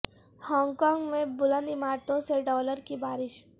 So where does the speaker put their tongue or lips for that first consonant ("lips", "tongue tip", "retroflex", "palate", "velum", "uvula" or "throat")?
throat